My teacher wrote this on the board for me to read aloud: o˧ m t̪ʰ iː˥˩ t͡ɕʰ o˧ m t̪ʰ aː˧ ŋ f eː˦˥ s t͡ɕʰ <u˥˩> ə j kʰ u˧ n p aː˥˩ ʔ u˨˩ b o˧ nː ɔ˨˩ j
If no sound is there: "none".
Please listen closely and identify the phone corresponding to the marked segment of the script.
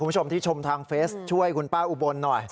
u˥˩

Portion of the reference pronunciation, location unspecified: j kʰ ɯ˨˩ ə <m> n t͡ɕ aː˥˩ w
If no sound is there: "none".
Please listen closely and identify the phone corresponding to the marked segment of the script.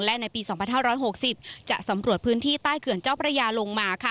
none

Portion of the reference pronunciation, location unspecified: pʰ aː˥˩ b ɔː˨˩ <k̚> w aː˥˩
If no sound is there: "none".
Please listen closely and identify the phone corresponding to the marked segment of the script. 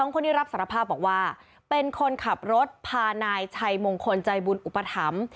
k̚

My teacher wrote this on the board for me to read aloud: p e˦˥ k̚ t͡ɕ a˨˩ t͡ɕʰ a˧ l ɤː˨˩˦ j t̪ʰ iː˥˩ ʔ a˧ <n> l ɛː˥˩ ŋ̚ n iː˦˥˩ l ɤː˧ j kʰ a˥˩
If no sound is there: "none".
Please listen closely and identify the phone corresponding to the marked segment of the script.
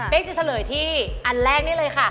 n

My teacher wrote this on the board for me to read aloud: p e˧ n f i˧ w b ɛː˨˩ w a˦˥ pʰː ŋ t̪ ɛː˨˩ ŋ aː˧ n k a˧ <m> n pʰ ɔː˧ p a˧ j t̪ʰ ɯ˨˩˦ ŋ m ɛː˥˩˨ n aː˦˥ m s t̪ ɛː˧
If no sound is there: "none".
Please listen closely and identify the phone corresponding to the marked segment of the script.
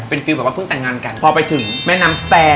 none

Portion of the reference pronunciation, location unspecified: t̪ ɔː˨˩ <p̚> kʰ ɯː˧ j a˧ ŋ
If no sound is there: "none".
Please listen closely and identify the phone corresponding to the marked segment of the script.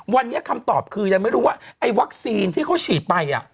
p̚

